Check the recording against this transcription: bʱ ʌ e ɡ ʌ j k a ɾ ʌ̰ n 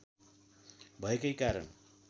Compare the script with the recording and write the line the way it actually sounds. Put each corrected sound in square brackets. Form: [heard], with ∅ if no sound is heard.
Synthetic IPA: bʱ ʌ e [k] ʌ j k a ɾ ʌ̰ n